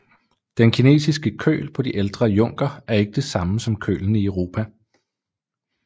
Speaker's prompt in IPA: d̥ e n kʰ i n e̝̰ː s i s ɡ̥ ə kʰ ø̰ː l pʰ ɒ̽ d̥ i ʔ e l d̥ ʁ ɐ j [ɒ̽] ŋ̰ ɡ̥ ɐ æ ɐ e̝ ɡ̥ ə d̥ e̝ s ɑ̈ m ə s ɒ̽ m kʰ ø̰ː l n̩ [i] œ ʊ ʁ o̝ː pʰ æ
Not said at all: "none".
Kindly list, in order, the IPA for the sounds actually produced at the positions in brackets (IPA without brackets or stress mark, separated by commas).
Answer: ɔ̽, i